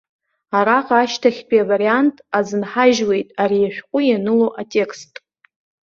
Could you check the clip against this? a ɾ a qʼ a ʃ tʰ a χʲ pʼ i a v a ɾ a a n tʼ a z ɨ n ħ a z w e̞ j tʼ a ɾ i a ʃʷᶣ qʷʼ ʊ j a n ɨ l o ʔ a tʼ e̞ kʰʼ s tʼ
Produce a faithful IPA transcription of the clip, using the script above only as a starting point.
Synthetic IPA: a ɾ a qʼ a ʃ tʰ a χʲ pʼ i a v a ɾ i a n tʼ a z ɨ n ħ a ʒ w e̞ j tʼ a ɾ i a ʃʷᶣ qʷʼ ʊ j a n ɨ l o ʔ a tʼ e̞ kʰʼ s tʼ